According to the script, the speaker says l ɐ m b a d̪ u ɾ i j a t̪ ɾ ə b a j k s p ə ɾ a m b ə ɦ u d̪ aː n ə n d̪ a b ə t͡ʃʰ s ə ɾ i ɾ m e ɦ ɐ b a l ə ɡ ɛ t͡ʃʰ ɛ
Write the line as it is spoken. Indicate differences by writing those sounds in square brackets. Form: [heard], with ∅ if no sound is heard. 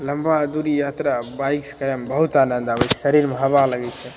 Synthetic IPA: l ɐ m b a d̪ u ɾ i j a t̪ ɾ [a] b a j k s [k] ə ɾ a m b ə ɦ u [t̪] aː n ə n d̪ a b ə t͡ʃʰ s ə ɾ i ɾ m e ɦ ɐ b a l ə ɡ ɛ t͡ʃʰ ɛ